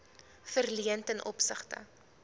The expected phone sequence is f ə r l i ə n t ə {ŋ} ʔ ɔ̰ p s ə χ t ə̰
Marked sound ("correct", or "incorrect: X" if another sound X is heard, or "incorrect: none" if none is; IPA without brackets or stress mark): incorrect: n